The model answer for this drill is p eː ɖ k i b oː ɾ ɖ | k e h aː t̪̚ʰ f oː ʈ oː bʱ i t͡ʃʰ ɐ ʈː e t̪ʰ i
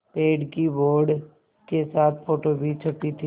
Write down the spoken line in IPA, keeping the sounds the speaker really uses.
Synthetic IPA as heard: p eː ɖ k i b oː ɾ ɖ | k e s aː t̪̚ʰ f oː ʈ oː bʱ i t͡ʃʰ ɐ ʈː i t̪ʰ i